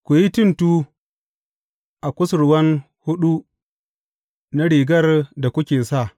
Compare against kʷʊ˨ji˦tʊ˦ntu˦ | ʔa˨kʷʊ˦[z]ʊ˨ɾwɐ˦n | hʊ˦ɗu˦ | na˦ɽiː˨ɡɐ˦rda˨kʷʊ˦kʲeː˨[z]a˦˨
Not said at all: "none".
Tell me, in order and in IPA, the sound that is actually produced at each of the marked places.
s, s

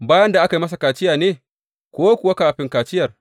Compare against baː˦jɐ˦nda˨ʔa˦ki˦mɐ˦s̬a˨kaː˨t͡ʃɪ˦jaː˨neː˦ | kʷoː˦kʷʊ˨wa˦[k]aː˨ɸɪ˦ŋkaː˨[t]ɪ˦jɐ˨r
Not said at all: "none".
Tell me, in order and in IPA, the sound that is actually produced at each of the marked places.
k, t͡ʃ

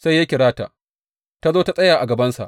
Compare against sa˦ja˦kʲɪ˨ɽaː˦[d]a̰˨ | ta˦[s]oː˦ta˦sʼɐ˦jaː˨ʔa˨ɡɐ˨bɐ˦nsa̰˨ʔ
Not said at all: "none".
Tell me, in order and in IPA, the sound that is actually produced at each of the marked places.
t, z

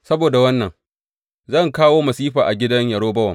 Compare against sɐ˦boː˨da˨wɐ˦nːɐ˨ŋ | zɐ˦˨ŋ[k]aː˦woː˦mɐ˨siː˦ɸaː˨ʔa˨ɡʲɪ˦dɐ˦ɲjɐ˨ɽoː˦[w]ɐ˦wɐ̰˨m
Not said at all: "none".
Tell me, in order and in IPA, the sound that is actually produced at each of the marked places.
k, b

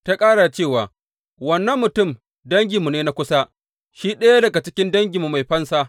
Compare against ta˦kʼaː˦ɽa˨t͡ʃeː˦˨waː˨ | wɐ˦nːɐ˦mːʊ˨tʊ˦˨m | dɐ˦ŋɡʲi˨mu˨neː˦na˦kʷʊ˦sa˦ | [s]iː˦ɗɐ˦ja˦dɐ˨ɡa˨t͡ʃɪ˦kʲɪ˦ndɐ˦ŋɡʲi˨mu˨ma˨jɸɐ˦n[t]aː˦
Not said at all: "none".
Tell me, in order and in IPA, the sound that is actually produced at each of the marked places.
ʃ, s

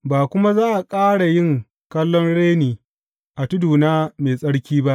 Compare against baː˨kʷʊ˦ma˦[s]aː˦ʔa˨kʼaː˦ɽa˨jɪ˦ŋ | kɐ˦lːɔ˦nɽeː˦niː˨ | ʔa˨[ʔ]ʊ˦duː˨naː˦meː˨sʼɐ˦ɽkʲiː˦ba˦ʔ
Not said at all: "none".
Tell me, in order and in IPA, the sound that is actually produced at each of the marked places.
z, t

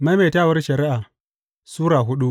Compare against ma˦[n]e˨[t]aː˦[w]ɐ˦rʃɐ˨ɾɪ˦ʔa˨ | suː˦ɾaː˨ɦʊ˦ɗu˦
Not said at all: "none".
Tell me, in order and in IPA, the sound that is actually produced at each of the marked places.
m, t, w

